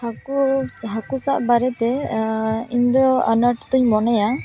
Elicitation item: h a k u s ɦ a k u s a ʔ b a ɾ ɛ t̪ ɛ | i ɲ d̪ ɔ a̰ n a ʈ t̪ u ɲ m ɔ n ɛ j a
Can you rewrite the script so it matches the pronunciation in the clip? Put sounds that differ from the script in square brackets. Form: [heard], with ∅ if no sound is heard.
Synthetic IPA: h a k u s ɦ a k u s a ʔ b a ɾ ɛ t̪ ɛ | i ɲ d̪ ɔ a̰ n a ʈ t̪ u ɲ m ɔ n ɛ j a